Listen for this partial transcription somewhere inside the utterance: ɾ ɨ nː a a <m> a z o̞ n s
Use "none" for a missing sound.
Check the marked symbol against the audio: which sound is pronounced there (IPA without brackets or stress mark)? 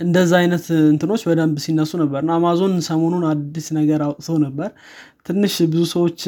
m